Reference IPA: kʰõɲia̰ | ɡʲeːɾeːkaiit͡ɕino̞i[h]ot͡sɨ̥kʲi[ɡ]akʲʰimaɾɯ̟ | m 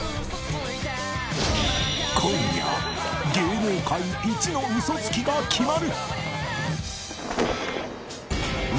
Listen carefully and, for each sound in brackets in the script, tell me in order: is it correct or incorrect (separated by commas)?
incorrect, correct